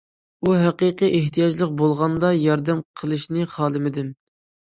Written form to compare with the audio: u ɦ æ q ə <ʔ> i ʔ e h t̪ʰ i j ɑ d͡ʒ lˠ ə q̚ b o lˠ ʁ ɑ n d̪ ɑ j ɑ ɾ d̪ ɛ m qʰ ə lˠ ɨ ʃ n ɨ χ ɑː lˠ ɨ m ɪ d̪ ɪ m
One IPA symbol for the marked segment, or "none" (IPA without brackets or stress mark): q